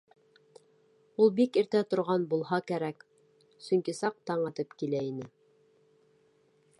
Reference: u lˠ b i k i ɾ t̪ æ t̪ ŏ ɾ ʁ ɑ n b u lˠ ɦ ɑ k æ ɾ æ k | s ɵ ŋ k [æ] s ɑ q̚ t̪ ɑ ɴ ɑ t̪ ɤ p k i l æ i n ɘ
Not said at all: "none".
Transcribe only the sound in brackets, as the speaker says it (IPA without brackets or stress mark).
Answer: i